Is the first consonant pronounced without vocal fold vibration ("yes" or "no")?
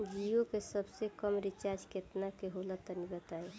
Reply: no